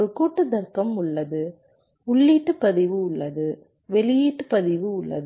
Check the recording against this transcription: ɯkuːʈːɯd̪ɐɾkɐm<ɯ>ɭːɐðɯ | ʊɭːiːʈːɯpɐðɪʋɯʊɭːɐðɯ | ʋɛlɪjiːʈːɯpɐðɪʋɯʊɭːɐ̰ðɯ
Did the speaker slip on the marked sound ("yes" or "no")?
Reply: yes